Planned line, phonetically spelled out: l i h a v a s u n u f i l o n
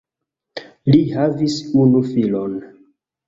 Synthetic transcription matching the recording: l i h a v i s u n u f i l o n